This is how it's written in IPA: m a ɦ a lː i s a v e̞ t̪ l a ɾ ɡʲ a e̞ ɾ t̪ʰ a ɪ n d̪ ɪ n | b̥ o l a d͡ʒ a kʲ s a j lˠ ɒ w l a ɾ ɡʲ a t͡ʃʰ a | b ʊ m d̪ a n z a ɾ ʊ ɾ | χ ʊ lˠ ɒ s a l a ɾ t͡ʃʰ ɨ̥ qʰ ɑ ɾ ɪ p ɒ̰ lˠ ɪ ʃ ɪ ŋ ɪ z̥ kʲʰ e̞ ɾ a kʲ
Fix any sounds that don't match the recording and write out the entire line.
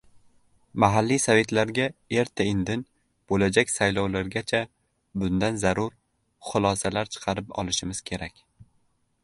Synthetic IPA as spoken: m a ɦ a lː i s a v e̞ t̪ l a ɾ ɡʲ a e̞ ɾ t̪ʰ a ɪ n d̪ ɪ n | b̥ o l a d͡ʒ a kʲ s a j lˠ ɒ w l a ɾ ɡʲ a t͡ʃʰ a | b ʊ n d̪ a n z a ɾ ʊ ɾ | χ ʊ lˠ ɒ s a l a ɾ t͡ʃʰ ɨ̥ qʰ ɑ ɾ ɪ p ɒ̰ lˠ ɪ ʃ ɪ m ɪ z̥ kʲʰ e̞ ɾ a kʲ

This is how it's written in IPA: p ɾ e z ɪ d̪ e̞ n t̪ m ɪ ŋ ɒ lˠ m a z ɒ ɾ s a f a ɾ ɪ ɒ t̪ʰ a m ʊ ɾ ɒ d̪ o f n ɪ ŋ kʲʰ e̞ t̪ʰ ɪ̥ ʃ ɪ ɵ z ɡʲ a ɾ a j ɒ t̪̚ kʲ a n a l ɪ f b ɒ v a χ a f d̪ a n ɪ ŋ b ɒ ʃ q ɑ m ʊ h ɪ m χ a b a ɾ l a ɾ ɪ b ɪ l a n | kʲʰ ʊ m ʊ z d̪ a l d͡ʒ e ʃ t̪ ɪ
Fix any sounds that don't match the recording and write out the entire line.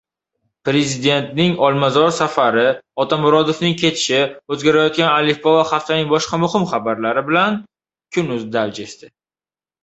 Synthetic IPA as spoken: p ɾ e z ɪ d̪ e̞ n t̪ n ɪ ŋ ɒ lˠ m a z ɒ ɾ s a f a ɾ ɪ ɒ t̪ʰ a m ʊ ɾ ɒ d̪ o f n ɪ ŋ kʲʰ e̞ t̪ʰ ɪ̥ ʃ ɪ ɵ z ɡʲ a ɾ a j ɒ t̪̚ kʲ a n a l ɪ f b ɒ v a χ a f t̪ a n ɪ ŋ b ɒ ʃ q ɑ m ʊ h ɪ m χ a b a ɾ l a ɾ ɪ b ɪ l a n | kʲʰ ʊ n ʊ z d̪ a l d͡ʒ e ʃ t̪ ɪ

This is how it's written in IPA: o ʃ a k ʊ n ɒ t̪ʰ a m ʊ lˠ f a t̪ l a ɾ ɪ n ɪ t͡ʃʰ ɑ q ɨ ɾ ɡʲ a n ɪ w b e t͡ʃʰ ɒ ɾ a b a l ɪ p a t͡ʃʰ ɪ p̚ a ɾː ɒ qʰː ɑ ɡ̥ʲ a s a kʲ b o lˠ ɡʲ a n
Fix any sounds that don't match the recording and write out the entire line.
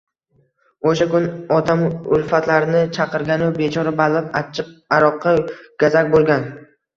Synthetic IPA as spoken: o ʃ a k ʊ n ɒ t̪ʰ a m ʊ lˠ f a t̪ l a ɾ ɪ n ɪ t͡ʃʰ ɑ q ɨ ɾ ɡʲ a n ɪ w b e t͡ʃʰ ɒ ɾ a b a l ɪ p a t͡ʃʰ ɪ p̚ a ɾ ɒ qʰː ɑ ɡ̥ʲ a z a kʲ b o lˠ ɡʲ a n

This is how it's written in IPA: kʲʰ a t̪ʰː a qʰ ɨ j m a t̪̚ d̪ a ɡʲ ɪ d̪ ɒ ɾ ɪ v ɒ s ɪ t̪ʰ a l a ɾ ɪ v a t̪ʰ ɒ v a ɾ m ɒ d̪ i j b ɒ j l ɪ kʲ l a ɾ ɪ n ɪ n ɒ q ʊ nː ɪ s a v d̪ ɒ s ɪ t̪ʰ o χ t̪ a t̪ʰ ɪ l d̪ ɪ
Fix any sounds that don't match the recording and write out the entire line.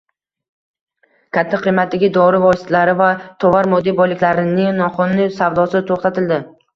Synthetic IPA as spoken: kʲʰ a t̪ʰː a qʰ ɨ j m a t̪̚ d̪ a ɡʲ ɪ d̪ ɒ ɾ ɪ v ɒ s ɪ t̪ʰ a l a ɾ ɪ v a t̪ʰ ɒ v a ɾ m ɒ d̪ i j b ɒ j l ɪ kʲ l a ɾ ɪ n ɪ n ɒ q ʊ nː ɪ s a v d̪ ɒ s ɪ t̪ʰ o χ t̪ a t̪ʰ ɪ l d̪ ɪ

